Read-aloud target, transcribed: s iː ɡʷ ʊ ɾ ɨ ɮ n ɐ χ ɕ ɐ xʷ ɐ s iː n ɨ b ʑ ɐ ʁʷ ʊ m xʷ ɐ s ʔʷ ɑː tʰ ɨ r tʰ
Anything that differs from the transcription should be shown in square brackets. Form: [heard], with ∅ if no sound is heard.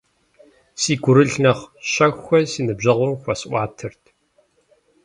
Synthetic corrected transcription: s iː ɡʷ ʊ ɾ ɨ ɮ n ɐ χ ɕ ɐ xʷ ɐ s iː n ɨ b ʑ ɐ ʁʷ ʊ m xʷ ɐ s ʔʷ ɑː tʰ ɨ r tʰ